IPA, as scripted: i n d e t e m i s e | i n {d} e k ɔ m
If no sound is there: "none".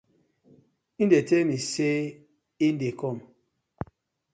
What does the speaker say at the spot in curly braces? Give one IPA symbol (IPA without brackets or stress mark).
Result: d